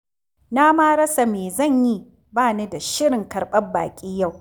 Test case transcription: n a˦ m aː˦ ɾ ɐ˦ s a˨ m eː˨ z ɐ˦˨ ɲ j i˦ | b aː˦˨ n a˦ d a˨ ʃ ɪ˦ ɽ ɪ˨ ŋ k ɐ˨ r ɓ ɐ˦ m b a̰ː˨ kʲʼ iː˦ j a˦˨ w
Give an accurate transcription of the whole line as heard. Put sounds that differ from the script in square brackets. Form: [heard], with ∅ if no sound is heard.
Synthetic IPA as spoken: n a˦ m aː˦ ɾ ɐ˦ s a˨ m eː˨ z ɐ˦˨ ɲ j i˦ | b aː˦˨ n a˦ d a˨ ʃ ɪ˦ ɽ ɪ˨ ŋ k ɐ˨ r ɓ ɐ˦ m b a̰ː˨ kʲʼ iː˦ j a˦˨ w